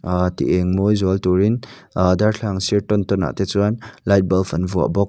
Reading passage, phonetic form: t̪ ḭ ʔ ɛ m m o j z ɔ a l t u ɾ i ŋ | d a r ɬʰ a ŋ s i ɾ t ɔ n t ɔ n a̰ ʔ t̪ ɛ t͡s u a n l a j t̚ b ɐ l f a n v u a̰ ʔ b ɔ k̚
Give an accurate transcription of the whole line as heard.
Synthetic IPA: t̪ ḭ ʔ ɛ ŋ m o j z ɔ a l t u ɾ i n | d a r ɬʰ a ŋ s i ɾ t ɔ n t ɔ n a̰ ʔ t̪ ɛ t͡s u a n l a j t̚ b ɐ l f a n v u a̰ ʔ b ɔ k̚